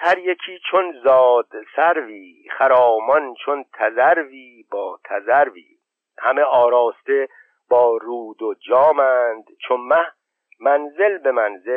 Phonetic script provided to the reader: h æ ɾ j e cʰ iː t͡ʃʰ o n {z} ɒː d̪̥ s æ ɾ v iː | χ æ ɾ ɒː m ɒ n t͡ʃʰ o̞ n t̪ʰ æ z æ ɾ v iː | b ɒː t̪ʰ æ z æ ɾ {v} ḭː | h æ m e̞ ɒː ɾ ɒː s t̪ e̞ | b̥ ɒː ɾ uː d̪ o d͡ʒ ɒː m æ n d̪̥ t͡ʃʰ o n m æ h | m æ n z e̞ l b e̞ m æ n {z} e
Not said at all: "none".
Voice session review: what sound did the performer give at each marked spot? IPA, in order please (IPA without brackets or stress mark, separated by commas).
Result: z, v, z